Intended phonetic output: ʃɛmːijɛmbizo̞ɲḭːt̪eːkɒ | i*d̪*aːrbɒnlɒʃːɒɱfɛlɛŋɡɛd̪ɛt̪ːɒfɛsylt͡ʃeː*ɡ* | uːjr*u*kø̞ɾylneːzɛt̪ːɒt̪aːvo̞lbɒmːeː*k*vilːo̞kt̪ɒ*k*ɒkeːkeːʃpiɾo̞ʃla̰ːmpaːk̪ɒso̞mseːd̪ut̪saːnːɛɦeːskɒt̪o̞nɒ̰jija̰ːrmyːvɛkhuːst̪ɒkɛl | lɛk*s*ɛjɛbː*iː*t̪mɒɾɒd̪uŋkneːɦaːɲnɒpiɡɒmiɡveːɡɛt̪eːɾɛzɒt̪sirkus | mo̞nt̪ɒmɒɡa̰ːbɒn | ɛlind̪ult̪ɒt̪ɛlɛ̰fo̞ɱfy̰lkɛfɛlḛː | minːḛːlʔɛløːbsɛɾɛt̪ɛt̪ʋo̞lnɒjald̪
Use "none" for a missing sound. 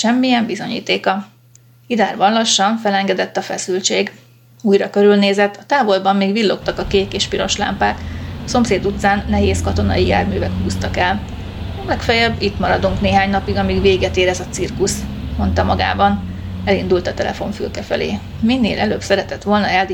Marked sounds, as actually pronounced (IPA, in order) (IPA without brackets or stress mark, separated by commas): d̪, ɡ, ɒ, ɡ, k, f, i